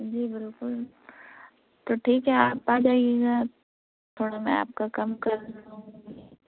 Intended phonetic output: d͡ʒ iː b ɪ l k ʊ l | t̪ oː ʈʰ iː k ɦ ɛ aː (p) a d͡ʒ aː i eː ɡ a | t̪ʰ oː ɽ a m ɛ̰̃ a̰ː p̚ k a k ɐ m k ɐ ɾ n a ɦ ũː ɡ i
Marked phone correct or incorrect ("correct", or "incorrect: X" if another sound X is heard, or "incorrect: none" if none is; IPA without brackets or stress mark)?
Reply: correct